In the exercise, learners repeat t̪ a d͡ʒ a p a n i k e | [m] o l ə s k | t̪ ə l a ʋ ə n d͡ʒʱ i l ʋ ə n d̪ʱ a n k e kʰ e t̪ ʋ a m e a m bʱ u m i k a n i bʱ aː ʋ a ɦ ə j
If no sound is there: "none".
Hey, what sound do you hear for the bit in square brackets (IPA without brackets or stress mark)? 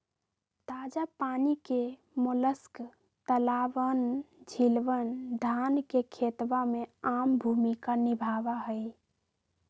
m